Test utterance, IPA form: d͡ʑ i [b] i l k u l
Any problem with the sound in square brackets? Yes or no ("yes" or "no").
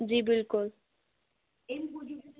no